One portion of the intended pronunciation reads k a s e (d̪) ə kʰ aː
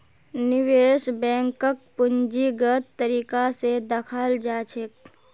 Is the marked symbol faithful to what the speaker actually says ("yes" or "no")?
yes